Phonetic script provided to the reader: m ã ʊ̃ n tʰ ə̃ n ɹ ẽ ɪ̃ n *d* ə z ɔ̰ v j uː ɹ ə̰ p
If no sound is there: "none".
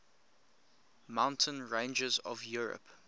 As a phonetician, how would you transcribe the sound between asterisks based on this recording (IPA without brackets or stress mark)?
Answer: d͡ʒ